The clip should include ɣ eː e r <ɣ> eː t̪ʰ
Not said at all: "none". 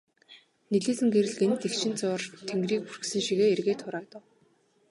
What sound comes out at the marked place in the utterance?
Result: ɣ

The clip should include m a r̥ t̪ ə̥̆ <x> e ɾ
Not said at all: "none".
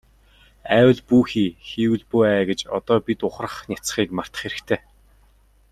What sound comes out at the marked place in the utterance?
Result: χ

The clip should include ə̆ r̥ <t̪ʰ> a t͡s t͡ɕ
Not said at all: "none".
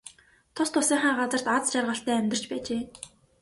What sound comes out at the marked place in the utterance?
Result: t̪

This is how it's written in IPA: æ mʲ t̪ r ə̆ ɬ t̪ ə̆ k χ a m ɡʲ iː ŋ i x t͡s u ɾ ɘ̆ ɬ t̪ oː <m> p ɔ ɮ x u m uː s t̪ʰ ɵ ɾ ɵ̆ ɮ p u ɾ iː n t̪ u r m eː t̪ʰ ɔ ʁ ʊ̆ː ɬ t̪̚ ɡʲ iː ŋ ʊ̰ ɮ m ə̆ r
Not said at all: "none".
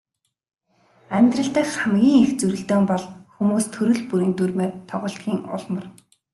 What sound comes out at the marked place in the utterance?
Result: m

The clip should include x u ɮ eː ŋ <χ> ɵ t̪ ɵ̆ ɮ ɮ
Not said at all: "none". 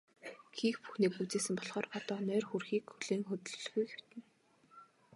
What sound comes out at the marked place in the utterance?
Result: x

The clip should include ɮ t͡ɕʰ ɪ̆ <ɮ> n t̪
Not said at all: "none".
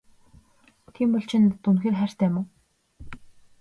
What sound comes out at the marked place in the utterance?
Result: none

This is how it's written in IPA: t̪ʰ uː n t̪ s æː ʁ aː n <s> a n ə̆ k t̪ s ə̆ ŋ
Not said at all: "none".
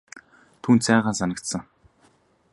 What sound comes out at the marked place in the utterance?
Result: s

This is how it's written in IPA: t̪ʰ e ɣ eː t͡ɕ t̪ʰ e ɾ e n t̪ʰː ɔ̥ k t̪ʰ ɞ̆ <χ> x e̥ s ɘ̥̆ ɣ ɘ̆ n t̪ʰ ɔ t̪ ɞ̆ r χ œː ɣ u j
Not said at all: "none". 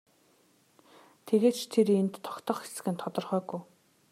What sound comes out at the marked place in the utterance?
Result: χ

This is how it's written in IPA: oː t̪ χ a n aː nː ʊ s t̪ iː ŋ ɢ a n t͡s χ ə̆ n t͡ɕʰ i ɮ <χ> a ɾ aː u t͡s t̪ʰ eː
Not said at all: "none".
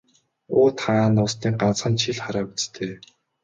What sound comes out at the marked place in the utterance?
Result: χ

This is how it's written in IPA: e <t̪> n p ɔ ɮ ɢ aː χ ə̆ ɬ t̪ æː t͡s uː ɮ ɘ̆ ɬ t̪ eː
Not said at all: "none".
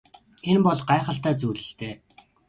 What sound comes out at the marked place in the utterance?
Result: none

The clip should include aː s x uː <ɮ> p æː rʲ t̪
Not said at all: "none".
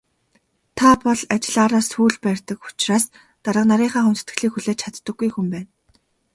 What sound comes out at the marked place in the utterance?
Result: ɮ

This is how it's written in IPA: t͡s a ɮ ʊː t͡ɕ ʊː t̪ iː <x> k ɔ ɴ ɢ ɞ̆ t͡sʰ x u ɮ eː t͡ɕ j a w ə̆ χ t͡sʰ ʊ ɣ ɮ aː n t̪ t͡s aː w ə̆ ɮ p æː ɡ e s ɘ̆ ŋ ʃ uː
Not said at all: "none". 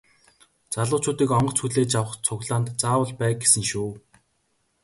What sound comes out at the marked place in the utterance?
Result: none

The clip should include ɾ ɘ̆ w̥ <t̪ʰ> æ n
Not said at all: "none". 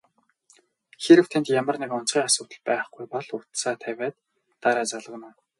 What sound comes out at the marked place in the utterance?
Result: t̪ʰ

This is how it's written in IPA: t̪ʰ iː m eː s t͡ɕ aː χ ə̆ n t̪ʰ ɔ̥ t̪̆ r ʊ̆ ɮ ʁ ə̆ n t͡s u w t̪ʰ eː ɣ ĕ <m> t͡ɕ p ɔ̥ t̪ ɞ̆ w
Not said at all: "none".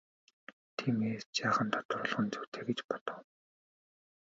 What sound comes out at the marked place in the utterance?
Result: none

